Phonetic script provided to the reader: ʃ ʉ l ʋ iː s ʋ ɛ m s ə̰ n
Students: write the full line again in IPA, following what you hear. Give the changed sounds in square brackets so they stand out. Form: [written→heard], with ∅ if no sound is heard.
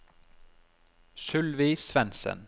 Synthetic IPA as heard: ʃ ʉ l ʋ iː s ʋ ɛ [m→n] s ə̰ n

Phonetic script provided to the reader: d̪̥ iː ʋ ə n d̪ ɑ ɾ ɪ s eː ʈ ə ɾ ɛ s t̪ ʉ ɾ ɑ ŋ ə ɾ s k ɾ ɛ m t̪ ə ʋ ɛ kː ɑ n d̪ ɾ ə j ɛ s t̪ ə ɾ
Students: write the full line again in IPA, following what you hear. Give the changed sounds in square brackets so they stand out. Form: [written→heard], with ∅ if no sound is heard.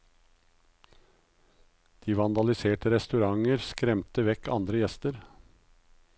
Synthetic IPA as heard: d̪̥ iː ʋ [ə→ɑ] n d̪ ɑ [ɾ→l] ɪ s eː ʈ ə ɾ ɛ s t̪ ʉ ɾ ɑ ŋ ə ɾ s k ɾ ɛ m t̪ ə ʋ ɛ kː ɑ n d̪ ɾ ə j ɛ s t̪ ə ɾ

